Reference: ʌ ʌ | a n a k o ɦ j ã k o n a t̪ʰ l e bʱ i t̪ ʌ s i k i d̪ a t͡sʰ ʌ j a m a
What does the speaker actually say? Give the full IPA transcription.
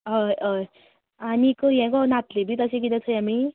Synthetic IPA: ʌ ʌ | a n i k o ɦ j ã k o n a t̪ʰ l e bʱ i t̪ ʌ s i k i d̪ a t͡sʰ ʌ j a m i